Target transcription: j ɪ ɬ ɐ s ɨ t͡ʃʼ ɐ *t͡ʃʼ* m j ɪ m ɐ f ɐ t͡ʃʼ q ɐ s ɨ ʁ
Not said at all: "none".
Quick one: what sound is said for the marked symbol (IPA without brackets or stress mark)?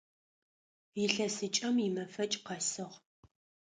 none